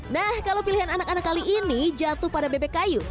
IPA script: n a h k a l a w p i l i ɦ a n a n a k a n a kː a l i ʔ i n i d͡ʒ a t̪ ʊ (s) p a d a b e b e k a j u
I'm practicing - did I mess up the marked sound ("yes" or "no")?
yes